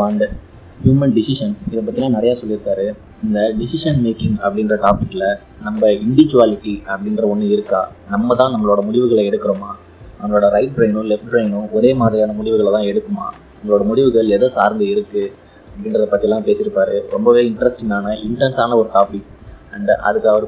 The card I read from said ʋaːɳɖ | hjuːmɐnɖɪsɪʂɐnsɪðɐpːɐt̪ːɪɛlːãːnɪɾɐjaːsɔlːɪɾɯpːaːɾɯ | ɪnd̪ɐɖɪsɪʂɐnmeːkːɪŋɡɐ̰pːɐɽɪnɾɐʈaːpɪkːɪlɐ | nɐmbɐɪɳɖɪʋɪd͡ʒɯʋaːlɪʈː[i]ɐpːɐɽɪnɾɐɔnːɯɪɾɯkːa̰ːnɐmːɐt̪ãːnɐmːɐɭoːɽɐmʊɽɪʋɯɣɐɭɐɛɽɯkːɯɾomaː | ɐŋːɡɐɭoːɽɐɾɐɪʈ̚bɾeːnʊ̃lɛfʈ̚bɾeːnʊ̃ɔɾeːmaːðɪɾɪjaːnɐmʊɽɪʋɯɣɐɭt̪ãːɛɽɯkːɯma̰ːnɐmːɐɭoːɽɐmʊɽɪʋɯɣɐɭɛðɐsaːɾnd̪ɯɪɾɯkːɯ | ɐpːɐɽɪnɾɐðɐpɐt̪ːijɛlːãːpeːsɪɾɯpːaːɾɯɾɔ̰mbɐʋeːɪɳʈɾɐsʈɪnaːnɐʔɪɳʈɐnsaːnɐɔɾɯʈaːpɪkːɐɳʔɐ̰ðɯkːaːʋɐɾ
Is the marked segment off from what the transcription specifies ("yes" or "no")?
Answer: no